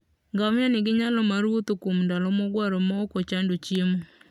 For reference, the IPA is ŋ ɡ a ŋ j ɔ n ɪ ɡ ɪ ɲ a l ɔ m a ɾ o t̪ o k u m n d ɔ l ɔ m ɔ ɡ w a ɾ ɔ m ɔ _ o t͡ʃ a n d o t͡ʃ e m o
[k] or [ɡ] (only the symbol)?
k